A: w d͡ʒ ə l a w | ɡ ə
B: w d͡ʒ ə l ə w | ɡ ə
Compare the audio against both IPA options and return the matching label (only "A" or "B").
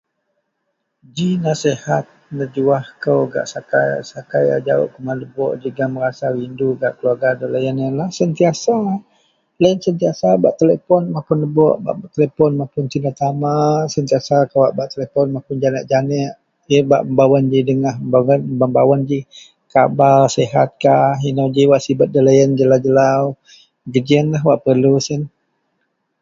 A